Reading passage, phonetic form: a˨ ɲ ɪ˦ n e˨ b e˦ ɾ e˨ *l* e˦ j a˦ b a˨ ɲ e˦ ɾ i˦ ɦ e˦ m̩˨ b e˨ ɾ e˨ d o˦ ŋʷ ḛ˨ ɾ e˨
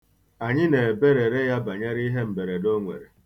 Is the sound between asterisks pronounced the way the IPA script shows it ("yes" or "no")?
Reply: no